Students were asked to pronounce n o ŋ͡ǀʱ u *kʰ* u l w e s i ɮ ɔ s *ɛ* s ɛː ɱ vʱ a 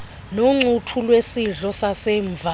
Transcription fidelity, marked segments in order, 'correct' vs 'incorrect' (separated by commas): incorrect, incorrect